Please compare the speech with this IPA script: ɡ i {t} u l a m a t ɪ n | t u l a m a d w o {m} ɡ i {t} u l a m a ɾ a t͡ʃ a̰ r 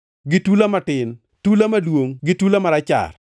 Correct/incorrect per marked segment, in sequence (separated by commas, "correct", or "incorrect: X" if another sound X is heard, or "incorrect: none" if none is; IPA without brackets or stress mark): correct, incorrect: ŋ, correct